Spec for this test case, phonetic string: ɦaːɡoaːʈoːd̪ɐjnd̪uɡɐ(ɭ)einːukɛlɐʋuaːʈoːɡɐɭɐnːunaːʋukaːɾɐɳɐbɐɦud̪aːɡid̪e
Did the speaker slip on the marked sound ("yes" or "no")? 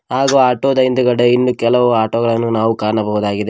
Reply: yes